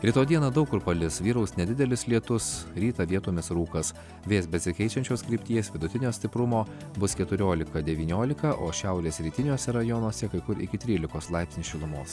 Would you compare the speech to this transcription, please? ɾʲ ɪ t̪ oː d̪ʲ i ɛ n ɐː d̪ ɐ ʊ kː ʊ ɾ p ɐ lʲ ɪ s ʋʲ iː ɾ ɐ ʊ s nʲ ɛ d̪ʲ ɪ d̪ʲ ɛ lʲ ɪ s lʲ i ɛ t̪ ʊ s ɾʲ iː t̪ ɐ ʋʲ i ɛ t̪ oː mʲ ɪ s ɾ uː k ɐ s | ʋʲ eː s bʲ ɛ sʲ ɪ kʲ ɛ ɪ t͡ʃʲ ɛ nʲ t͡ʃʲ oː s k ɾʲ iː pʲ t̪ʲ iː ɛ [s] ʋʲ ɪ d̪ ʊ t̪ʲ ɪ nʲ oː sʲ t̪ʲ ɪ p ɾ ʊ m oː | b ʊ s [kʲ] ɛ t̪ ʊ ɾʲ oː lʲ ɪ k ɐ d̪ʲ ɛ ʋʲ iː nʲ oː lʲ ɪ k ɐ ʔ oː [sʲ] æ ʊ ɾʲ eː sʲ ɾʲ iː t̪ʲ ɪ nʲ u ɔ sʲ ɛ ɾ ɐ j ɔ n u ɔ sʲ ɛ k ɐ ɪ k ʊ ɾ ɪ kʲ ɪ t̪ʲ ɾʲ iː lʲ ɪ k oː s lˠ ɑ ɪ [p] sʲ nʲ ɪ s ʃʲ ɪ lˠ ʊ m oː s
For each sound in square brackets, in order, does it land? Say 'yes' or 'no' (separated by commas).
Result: yes, yes, no, yes